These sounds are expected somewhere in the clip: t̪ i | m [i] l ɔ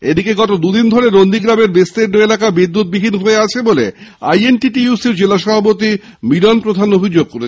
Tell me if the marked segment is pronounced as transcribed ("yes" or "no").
yes